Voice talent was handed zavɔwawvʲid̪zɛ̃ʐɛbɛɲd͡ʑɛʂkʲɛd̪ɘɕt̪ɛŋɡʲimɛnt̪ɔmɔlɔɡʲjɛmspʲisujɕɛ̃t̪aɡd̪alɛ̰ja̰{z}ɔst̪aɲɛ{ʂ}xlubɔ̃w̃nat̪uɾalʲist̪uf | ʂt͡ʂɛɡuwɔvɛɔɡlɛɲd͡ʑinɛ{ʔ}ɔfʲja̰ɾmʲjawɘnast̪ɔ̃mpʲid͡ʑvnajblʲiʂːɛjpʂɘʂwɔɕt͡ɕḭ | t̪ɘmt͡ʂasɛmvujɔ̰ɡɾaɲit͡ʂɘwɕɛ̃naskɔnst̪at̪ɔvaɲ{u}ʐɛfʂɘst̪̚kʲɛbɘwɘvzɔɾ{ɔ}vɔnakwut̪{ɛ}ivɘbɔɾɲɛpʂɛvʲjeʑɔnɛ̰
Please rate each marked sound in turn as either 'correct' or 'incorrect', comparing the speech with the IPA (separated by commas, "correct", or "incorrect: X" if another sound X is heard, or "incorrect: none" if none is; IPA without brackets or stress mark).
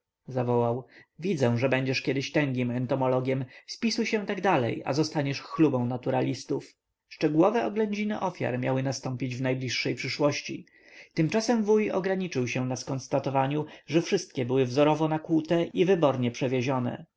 correct, correct, correct, correct, correct, correct